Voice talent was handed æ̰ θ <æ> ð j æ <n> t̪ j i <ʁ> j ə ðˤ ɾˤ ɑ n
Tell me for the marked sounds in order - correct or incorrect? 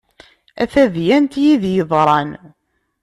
correct, correct, incorrect: ð

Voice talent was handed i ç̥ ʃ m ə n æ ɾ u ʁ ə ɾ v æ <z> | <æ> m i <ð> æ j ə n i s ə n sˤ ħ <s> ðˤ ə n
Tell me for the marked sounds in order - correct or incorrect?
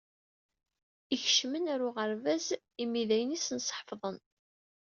correct, incorrect: i, correct, incorrect: f

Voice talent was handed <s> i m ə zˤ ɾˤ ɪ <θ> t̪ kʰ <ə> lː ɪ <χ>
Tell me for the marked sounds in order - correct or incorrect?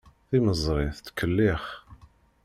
incorrect: θ, correct, correct, correct

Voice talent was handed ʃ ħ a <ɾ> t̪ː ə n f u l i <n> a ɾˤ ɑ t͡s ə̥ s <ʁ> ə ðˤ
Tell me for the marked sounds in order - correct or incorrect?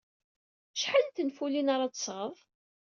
incorrect: l, correct, correct

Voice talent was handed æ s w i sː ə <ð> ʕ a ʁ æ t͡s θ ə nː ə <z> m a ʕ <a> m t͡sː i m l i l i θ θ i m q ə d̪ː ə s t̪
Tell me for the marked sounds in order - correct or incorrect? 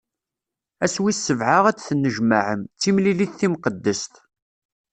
incorrect: v, incorrect: ʒ, incorrect: ə

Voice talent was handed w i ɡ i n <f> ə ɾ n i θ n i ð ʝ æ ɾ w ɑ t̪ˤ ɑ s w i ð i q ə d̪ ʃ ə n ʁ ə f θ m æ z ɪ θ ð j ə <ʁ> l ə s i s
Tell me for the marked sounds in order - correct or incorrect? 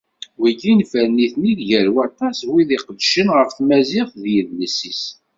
correct, incorrect: ð

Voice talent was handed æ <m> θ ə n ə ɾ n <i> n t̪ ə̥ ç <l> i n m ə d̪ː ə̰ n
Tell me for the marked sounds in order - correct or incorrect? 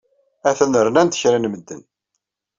incorrect: none, incorrect: æ, incorrect: ɾ

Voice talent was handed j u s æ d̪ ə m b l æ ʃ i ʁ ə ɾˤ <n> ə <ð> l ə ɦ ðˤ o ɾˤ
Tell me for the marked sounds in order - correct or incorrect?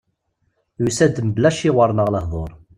correct, incorrect: ʁ

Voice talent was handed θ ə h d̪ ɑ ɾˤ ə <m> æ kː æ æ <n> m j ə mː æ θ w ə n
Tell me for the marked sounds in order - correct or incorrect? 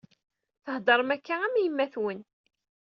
correct, incorrect: none

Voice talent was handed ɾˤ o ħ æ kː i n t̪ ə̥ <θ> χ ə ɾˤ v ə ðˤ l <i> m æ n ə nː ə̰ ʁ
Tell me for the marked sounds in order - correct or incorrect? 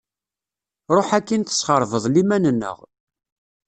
incorrect: s, correct

